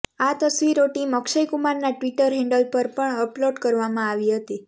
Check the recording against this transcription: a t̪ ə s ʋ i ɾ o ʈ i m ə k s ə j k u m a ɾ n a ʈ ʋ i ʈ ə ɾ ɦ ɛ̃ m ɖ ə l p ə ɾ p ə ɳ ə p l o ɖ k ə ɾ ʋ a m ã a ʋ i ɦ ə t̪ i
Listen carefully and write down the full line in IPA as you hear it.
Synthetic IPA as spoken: a t̪ ə s ʋ i ɾ o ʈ i m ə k ʃ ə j k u m a ɾ n a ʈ ʋ i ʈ ə ɾ ɦ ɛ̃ ɳ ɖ ə l p ə ɾ p ə ɳ ə p l o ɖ k ə ɾ ʋ a m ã a ʋ i ɦ ə t̪ i

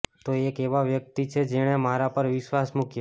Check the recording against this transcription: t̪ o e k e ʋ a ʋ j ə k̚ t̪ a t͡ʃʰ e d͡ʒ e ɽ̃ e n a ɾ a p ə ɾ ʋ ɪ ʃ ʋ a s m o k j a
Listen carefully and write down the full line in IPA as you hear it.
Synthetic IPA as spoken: t̪ o e k e ʋ a ʋ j ə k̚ t̪ i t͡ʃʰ e d͡ʒ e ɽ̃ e m a ɾ a p ə ɾ ʋ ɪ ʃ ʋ a s m u k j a

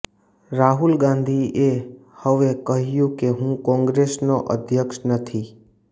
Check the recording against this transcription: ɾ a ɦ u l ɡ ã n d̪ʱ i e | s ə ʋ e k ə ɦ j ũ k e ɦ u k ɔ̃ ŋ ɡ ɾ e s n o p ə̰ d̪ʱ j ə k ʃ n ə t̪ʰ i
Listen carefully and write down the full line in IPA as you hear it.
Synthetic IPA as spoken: ɾ a ɦ u l ɡ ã n d̪ʱ i e | h ə ʋ e k ə ɦ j ũ k e ɦ ũ k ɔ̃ ŋ ɡ ɾ e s n o ʔ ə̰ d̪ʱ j ə k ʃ n ə t̪ʰ i

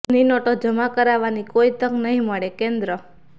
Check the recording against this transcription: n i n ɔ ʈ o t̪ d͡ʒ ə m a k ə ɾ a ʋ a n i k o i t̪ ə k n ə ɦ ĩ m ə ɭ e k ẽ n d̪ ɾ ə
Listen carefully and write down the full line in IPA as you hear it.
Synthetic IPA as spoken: n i n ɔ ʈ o d͡ʒ ə m a k ə ɾ a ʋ a n i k o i t̪ ə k n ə ɦ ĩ m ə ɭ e k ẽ n d̪ ɾ ə

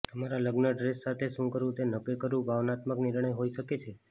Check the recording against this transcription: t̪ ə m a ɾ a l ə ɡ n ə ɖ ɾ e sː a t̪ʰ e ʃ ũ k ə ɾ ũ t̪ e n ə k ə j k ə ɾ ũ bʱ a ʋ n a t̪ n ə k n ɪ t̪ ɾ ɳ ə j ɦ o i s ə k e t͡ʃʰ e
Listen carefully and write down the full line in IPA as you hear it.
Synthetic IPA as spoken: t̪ ə m a ɾ a l ə ɡ n ə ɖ ɾ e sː a t̪ʰ e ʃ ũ k ə ɾ ũ t̪ e n ə k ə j k ə ɾ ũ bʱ a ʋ n a t̪ m ə k n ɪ ɾ ɳ ə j ɦ o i ʃ ə k e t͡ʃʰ e

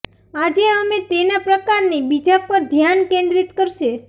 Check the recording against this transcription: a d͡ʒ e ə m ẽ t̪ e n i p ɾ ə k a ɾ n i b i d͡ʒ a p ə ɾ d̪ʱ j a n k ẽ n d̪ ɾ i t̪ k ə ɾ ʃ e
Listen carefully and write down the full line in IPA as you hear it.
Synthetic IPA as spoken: a d͡ʒ e ə m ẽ t̪ e n a p ɾ ə k a ɾ n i b i d͡ʒ a p ə ɾ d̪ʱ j a n k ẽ n d̪ ɾ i t̪ k ə ɾ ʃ e

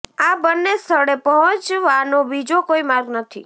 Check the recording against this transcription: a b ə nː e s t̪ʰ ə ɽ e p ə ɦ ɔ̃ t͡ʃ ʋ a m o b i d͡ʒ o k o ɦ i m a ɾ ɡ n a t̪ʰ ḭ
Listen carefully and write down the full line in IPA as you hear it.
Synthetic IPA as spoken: a b ə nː e s t̪ʰ ə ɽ e p ə ɦ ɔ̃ t͡ʃ ʋ a n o b i d͡ʒ o k o i m a ɾ ɡ n ə t̪ʰ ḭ

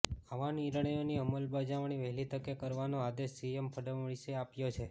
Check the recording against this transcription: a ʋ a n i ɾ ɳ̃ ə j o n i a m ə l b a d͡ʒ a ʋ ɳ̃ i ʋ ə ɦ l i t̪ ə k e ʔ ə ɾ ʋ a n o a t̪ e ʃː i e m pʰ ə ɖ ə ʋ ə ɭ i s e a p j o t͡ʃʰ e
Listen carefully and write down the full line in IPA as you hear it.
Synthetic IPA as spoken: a ʋ a n i ɾ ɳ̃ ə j o n i ə m ə l b a d͡ʒ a ʋ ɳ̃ i ʋ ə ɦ l i t̪ ə k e k ə ɾ ʋ a n o a d̪ e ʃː i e m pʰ ə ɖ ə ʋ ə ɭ i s e a p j o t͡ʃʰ e

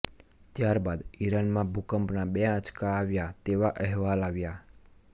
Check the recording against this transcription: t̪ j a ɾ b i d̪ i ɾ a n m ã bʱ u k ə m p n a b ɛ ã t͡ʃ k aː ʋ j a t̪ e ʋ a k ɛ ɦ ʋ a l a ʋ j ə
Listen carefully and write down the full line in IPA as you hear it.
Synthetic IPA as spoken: t̪ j a ɾ b a d̪ i ɾ a n m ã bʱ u k ə m p n a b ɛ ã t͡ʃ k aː ʋ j a t̪ e ʋ a ʔ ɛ ɦ ʋ a l a ʋ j a

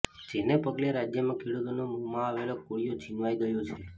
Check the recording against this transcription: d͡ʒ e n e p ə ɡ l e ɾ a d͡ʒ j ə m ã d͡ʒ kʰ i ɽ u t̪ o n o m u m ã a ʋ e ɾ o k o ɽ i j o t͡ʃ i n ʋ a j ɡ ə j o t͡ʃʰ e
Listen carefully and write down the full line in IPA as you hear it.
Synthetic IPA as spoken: d͡ʒ e n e p ə ɡ l e ɾ a d͡ʒ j ə m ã kʰ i ɽ u t̪ o n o m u m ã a ʋ e l o k o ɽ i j o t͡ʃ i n ʋ a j ɡ ə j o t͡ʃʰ e

